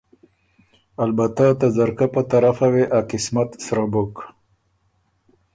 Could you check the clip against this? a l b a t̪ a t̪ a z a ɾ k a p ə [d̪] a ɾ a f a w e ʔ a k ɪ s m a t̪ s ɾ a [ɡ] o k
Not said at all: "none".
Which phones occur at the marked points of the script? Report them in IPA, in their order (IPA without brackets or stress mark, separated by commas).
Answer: t̪, b